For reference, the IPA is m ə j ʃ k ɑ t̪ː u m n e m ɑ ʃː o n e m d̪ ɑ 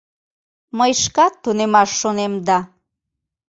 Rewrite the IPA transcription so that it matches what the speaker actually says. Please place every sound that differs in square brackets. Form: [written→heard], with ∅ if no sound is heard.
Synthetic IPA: m ə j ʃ k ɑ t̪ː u [m→∅] n e m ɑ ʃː o n e m d̪ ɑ

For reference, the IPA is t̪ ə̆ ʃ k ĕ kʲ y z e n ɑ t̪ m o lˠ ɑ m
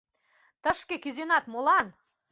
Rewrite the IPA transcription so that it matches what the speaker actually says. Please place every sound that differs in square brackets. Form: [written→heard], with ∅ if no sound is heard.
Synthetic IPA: t̪ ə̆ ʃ k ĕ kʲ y z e n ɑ t̪ m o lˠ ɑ [m→n]

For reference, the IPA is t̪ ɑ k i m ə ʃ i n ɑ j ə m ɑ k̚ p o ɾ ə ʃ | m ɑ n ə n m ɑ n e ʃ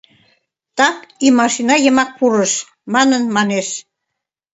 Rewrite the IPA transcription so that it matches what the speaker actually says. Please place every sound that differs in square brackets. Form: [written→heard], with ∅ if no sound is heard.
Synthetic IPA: t̪ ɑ k i m [ə→ɑ] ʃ i n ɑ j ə m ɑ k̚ p [o→u] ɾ ə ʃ | m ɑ n ə n m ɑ n e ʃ

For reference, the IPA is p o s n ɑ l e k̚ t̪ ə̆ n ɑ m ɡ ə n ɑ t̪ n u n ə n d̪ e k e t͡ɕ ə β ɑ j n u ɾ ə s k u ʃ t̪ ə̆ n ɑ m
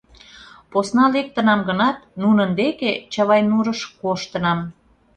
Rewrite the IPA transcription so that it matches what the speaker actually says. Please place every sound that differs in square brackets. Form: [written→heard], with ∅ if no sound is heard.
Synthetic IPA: p o s n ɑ l e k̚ t̪ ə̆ n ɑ m ɡ ə n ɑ t̪ n u n ə n d̪ e k e t͡ɕ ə β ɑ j n u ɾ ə [s→ʃ] k [u→o] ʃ t̪ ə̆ n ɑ m

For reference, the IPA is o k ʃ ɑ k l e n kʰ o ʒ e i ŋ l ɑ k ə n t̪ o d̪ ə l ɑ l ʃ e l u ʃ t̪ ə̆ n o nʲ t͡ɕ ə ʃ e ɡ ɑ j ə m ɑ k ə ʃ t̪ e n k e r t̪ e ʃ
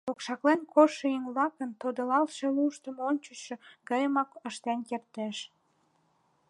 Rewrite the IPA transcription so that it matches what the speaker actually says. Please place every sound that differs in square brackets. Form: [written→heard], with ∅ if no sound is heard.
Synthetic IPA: o k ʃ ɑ k l e n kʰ o [ʒ→ʃ] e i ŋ l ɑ k ə n t̪ o d̪ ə l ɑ l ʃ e l u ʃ t̪ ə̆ [n→m] o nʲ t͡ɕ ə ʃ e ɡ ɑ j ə m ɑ k ə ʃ t̪ e n k e r t̪ e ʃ

